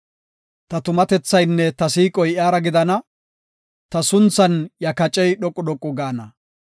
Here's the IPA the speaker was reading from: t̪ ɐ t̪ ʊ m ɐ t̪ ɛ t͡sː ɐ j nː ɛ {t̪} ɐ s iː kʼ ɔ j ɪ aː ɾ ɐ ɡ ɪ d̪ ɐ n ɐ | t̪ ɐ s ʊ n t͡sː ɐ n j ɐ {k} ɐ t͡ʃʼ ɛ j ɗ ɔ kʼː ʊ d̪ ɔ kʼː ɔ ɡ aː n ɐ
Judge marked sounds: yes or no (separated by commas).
yes, yes